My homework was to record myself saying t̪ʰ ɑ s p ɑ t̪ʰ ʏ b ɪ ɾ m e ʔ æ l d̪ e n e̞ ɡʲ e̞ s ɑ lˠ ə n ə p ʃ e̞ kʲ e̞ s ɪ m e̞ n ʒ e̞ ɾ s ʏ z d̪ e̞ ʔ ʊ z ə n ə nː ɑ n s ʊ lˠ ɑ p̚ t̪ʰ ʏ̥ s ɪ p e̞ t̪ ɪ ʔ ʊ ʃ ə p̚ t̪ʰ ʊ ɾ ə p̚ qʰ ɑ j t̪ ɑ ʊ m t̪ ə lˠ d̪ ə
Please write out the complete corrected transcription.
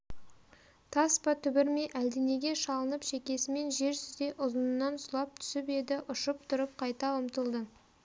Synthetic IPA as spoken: t̪ʰ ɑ s p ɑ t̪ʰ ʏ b ɪ ɾ m e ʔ æ l d̪ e n e̞ ɡʲ e̞ ʃ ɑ lˠ ə n ə p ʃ e̞ kʲ e̞ s ɪ m e̞ n ʒ e̞ ɾ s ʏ z d̪ e̞ ʔ ʊ z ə n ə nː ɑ n s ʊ lˠ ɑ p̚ t̪ʰ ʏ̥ s ɪ p e̞ d̪ ɪ ʔ ʊ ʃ ə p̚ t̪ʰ ʊ ɾ ə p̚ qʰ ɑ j t̪ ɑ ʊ m t̪ ə lˠ d̪ ə